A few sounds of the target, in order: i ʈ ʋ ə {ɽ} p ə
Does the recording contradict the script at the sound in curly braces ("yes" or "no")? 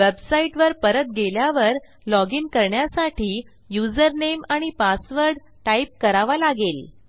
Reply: yes